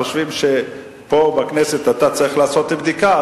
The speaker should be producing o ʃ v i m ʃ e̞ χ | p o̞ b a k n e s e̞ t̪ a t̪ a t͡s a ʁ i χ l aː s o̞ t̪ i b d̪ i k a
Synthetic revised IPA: o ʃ v i m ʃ e̞ | p o̞ b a k n e s e̞ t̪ a t̪ a t͡s a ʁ i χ l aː s o̞ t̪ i b d̪ i k a